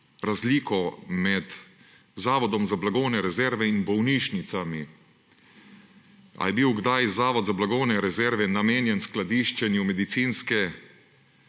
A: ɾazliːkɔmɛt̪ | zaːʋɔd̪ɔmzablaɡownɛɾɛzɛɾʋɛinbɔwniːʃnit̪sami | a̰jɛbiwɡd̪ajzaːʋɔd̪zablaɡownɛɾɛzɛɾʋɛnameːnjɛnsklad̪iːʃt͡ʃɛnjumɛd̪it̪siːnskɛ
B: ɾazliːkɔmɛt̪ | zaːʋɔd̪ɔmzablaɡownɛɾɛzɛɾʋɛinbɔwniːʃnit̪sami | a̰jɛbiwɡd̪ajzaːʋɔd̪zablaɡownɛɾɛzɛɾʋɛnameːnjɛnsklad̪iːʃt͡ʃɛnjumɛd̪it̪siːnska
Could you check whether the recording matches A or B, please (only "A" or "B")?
A